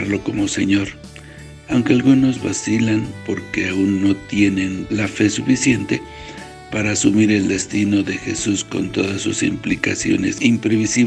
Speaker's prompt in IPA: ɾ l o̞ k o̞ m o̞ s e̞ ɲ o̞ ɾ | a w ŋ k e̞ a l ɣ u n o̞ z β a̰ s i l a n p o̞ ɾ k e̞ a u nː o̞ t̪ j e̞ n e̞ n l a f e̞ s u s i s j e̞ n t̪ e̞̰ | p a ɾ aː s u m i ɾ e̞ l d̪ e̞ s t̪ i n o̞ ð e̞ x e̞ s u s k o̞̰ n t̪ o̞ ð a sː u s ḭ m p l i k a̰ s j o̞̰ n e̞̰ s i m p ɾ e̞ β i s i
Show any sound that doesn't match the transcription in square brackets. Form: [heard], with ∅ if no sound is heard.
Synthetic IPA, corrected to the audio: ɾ l o̞ k o̞ m o̞ s e̞ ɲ o̞ ɾ | a w ŋ k e̞ a l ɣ u n o̞ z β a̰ s i l a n p o̞ ɾ k e̞ a u nː o̞ t̪ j e̞ n e̞ n l a f e̞ s u [f] i s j e̞ n t̪ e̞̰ | p a ɾ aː s u m i ɾ e̞ l d̪ e̞ s t̪ i n o̞ ð e̞ x e̞ s u s k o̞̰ n t̪ o̞ ð a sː u s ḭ m p l i k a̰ s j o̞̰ n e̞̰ s i m p ɾ e̞ β i s i

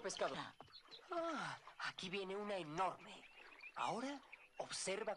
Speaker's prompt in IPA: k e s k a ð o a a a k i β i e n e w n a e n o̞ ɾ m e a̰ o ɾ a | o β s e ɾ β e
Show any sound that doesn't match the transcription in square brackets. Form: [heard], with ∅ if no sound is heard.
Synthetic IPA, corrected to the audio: [p] e s k a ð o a a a k i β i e n e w n a e n o̞ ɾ m e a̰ o ɾ a | o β s e ɾ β [a]

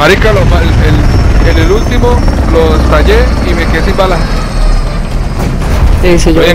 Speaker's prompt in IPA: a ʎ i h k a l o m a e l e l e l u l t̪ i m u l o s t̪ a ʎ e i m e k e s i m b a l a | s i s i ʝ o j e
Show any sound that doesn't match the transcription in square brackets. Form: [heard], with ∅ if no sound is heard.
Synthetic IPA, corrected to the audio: a [ɾ] i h k a l o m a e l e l e l u l t̪ i m [o] l o s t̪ a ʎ e i m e k e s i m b a l a | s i s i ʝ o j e

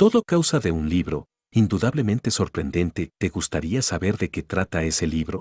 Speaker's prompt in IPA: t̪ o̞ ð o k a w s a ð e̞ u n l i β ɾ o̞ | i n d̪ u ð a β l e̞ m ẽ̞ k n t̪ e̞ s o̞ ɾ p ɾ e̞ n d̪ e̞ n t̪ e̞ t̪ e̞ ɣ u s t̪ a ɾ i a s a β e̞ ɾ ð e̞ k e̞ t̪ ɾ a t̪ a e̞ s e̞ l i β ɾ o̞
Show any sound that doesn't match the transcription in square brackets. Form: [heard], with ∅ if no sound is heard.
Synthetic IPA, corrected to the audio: t̪ o̞ ð o k a w s a ð e̞ u n l i β ɾ o̞ | i n d̪ u ð a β l e̞ m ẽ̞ [∅] n t̪ e̞ s o̞ ɾ p ɾ e̞ n d̪ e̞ n t̪ e̞ t̪ e̞ ɣ u s t̪ a ɾ i a s a β e̞ ɾ ð e̞ k e̞ t̪ ɾ a t̪ a e̞ s e̞ l i β ɾ o̞

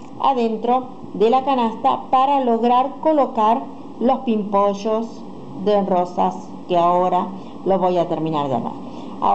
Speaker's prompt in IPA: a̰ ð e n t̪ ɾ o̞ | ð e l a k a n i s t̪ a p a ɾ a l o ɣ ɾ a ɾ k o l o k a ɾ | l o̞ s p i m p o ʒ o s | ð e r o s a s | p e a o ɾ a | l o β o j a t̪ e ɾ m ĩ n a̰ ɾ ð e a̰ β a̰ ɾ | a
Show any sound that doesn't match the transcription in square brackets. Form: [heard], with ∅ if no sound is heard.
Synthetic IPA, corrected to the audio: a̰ ð e n t̪ ɾ o̞ | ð e l a k a n [a] s t̪ a p a ɾ a l o ɣ ɾ a ɾ k o l o k a ɾ | l o̞ s p i m p o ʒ o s | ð e r o s a s | [k] e a o ɾ a | l o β o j a t̪ e ɾ m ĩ n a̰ ɾ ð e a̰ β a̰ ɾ | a

